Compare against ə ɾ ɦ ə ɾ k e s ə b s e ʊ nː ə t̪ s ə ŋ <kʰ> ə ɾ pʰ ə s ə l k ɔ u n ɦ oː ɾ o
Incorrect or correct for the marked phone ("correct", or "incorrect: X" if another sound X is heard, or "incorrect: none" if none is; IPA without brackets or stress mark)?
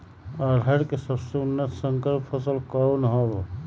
incorrect: k